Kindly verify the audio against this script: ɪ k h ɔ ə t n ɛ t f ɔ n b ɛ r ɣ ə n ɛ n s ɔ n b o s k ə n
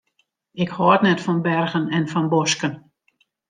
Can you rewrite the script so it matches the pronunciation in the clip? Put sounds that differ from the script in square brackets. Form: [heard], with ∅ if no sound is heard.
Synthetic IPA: ɪ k h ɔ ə t n ɛ t f ɔ n b ɛ r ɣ ə n ɛ n [f] ɔ n b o s k ə n